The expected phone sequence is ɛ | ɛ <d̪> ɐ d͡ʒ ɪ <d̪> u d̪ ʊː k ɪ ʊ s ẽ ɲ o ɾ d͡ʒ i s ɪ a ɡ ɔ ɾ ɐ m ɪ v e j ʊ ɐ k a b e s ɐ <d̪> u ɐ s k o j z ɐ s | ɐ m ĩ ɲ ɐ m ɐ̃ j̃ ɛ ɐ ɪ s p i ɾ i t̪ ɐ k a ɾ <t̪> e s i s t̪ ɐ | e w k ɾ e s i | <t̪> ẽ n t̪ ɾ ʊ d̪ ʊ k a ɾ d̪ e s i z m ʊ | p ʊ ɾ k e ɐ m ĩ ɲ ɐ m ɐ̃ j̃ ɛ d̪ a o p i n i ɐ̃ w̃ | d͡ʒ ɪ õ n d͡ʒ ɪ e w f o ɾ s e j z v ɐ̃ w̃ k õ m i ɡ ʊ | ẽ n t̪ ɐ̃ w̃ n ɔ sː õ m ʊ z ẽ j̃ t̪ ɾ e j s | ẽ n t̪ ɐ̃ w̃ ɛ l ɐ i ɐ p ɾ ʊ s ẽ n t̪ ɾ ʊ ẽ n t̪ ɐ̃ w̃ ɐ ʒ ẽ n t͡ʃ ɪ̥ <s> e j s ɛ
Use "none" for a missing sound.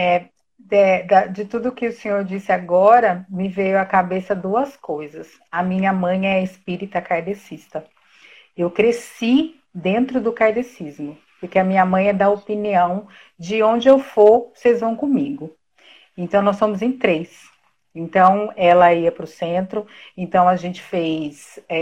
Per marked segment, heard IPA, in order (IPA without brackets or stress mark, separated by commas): d̪, t̪, d̪, d̪, d̪, f